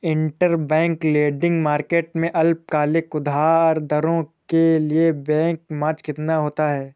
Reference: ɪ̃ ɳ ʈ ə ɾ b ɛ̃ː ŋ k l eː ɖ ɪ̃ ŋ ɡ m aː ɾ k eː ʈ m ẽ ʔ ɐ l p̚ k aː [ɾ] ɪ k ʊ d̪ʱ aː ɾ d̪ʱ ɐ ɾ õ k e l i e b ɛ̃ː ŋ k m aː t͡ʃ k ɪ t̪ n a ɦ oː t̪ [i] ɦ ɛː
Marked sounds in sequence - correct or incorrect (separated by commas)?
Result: incorrect, incorrect